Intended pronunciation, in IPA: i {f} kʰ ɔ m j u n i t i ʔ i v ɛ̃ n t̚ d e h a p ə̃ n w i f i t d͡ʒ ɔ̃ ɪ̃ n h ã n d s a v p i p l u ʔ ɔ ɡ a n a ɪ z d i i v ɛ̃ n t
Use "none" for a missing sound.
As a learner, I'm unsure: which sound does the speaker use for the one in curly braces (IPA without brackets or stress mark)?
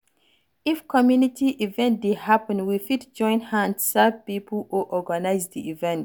f